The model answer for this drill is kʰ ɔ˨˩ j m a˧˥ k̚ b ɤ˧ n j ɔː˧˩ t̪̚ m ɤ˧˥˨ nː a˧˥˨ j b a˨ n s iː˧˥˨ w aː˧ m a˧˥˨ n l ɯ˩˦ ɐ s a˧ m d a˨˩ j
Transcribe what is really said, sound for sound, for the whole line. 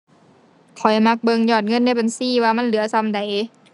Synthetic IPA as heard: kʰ ɔ˨˩ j m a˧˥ k̚ b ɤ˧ ŋ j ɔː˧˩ t̪̚ ŋ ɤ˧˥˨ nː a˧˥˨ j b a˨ n s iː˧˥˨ w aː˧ m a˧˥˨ n l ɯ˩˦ ɐ s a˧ m d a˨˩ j